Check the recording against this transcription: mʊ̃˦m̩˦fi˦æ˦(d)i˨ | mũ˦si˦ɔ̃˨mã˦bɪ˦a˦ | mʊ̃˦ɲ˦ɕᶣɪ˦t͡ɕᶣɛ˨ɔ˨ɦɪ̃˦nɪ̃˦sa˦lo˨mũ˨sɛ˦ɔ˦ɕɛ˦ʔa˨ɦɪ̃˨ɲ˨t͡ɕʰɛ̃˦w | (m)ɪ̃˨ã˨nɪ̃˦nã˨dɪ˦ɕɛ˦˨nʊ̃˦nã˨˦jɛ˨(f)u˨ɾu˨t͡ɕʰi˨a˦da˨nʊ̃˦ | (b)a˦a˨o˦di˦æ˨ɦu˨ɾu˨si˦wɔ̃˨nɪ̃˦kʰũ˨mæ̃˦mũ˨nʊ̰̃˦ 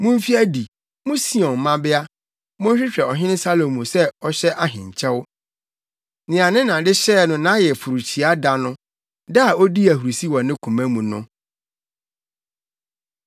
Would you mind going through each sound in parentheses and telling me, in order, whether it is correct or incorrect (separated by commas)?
correct, incorrect, correct, incorrect